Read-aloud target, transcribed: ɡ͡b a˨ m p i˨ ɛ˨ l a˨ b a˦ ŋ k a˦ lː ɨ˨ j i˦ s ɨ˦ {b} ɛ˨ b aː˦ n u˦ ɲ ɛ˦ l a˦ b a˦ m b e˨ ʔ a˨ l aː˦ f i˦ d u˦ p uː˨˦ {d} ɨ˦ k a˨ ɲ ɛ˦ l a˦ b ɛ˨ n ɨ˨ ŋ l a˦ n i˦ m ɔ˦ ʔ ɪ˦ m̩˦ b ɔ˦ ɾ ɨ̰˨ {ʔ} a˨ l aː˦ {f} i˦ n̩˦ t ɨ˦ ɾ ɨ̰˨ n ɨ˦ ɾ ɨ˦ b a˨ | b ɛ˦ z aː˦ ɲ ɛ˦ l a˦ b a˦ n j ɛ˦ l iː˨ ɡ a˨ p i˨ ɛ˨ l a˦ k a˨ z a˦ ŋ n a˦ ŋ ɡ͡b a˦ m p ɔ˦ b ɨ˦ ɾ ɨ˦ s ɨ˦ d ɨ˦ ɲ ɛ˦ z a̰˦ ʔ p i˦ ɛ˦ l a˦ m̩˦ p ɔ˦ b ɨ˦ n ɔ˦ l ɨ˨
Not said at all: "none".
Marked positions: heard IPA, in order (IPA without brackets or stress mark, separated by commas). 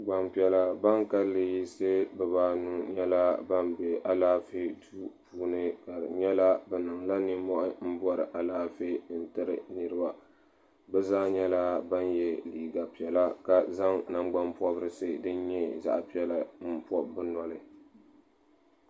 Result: b, n, ʔ, f